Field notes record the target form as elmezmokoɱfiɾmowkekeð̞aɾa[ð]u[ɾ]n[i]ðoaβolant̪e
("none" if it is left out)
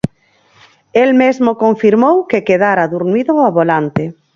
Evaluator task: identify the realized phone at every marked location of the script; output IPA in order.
ð, ɾ, i

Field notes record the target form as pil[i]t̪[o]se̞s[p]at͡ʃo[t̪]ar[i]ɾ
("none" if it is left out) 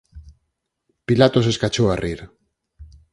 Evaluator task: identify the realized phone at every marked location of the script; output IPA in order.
a, o, k, none, i

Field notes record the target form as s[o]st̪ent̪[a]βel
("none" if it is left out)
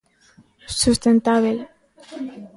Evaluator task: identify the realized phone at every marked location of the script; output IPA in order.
u, a

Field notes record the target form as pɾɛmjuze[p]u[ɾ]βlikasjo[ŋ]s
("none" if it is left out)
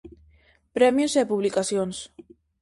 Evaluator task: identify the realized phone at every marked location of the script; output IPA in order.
p, none, n

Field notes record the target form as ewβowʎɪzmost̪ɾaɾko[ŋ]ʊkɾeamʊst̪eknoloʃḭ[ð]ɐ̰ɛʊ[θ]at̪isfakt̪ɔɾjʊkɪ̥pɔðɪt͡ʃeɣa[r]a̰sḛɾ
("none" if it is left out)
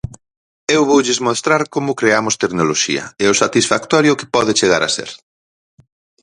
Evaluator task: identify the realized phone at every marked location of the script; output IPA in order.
m, none, s, ɾ

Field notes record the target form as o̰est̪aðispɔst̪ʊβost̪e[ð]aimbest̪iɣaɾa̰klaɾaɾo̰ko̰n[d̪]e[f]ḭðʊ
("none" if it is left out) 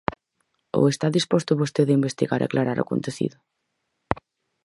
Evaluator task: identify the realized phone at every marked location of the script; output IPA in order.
ð, t̪, θ

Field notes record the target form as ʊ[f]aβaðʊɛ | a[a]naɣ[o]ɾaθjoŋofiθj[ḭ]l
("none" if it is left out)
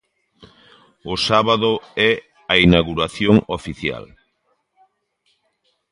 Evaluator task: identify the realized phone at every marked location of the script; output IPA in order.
s, i, u, a̰

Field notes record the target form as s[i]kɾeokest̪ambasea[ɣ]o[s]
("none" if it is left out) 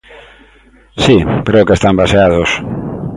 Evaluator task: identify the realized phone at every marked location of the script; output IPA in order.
i, ð, s

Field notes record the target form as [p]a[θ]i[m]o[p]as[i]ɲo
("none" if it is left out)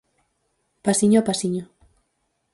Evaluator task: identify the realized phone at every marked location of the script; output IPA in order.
p, s, ɲ, p, i

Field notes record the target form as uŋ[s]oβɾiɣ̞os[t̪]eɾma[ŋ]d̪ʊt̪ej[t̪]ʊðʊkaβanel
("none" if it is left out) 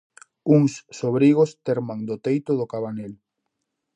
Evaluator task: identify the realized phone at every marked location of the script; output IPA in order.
sː, t̪, ŋ, t̪

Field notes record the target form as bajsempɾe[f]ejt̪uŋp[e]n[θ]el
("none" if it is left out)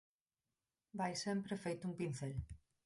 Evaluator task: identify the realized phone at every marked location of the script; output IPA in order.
f, i, θ

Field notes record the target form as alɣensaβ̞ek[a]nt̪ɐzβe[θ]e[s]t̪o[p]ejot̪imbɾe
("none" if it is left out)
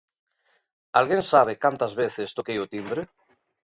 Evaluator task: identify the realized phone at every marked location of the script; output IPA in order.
a, θ, s, k

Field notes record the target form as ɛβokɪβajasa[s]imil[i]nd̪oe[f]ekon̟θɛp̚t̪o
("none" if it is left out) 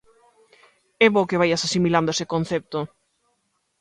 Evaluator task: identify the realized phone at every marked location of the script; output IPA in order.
s, a, s

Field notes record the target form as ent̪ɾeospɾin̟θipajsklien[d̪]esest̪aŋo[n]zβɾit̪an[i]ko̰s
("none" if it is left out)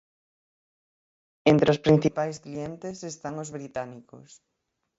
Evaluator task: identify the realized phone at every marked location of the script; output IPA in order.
t̪, none, i

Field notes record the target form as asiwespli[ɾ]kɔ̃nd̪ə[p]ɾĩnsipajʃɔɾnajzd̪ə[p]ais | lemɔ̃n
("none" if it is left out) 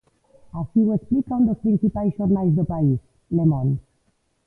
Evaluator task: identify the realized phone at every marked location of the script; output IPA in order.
none, p, p

